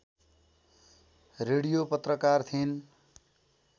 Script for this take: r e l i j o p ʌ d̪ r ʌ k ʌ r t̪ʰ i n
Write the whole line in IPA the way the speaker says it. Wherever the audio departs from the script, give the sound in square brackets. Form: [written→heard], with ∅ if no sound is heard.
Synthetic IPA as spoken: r e [l→ɽ] i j o p ʌ [d̪→t̪] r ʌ k [ʌ→a] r t̪ʰ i n